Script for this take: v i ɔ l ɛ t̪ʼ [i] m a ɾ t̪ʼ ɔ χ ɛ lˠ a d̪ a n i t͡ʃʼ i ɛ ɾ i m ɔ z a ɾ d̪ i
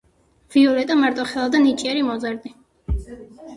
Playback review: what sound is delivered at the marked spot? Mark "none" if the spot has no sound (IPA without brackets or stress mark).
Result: a